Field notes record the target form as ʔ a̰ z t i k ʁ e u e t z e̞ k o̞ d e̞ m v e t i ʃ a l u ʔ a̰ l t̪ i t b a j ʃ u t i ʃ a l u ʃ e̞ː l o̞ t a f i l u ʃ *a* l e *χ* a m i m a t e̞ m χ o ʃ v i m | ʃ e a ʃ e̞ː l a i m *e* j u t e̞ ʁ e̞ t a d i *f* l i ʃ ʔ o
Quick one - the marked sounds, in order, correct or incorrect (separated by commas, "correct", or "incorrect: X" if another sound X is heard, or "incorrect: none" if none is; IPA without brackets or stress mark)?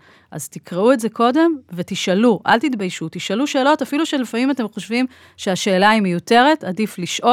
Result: incorrect: e, incorrect: f, correct, correct